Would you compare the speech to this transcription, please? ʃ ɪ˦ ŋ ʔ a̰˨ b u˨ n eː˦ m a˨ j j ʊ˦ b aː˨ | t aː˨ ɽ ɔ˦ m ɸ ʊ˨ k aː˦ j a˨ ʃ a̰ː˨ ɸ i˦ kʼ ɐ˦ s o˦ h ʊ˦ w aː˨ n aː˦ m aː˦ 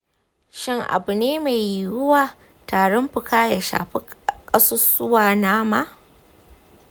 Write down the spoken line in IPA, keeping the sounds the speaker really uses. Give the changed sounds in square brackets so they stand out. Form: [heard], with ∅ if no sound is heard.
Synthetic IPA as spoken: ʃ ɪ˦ ŋ ʔ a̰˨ b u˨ n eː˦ m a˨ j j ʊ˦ [w] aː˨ | t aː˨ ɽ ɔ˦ m ɸ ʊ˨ k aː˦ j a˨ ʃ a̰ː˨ ɸ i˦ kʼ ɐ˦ s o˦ [s] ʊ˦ w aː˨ n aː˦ m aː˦